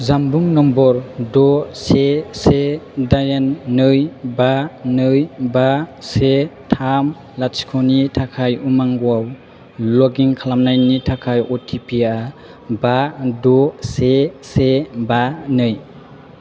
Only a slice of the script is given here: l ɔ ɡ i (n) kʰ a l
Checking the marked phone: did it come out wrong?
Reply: yes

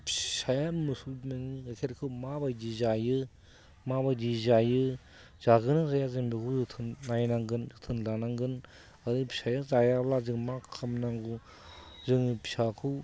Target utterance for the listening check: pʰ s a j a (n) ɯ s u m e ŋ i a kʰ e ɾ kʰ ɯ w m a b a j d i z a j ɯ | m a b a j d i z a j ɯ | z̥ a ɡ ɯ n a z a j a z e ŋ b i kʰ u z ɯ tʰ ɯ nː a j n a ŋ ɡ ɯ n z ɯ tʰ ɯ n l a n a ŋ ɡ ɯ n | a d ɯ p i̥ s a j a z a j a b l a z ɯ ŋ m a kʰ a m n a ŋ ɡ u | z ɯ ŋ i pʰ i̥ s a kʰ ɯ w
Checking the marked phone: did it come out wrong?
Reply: yes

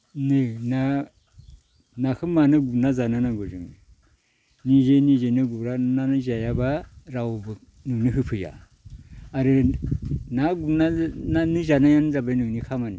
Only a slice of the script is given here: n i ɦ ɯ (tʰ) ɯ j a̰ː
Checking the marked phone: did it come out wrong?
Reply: yes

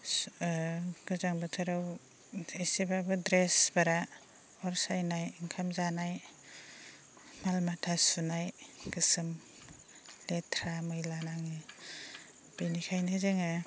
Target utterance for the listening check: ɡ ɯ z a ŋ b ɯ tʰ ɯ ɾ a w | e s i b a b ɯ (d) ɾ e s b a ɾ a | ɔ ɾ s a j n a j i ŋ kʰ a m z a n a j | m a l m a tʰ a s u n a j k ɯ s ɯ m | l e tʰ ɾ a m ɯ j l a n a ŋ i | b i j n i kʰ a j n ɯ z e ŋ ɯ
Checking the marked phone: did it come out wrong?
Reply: no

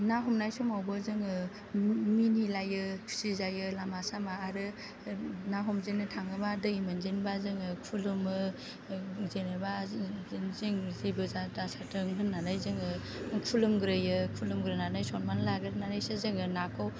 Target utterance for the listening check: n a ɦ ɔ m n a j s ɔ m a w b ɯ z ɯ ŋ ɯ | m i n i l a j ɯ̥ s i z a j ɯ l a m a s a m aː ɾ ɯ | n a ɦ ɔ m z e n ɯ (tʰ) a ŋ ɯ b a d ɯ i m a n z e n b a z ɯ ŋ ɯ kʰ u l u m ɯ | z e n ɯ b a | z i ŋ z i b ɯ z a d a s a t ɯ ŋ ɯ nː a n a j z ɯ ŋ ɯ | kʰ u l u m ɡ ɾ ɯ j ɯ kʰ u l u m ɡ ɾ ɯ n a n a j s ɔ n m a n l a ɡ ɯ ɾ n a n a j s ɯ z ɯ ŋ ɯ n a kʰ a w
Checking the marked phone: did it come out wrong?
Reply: no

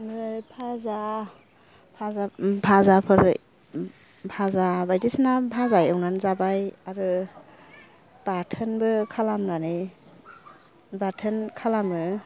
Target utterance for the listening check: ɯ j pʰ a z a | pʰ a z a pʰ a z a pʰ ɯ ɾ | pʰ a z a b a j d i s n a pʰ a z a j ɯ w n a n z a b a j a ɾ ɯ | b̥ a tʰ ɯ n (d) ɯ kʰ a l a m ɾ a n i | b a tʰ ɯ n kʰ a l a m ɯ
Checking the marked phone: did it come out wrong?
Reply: yes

